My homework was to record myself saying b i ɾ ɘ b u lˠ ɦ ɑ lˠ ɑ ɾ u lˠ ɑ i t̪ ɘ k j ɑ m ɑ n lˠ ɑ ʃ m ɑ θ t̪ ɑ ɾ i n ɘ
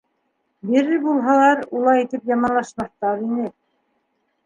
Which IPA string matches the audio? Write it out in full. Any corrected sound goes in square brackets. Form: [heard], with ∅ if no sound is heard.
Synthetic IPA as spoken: b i ɾ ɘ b u lˠ ɦ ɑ lˠ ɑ ɾ u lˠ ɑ i t̪ ɘ [p] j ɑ m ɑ n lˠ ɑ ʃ m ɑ θ t̪ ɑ ɾ i n ɘ